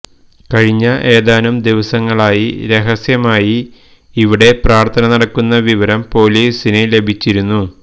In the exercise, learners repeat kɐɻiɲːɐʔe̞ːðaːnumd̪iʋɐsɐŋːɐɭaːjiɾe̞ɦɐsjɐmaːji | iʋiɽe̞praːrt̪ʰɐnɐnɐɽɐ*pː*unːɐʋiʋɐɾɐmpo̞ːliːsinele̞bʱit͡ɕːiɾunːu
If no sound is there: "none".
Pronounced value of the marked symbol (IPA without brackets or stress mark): kː